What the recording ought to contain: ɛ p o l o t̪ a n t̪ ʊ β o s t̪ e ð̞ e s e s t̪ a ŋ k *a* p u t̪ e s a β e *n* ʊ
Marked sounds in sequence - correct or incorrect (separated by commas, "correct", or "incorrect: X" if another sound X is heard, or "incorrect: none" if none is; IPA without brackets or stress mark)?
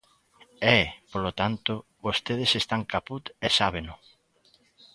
correct, correct